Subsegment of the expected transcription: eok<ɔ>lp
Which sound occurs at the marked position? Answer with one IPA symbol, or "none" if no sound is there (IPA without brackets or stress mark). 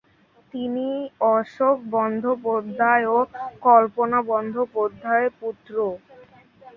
ɔ